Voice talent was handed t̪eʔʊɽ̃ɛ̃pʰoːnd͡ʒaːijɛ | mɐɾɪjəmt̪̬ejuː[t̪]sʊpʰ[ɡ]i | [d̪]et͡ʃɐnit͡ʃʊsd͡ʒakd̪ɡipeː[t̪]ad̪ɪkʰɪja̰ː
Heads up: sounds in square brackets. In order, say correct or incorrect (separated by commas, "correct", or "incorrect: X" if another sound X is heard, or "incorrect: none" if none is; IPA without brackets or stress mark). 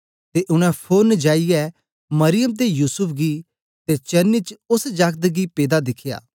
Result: incorrect: none, correct, incorrect: t̪, incorrect: d̪